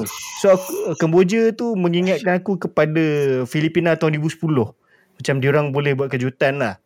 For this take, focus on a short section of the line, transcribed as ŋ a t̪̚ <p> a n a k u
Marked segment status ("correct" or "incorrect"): incorrect